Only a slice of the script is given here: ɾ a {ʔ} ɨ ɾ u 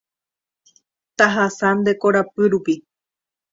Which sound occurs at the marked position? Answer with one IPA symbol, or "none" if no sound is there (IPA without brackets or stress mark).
p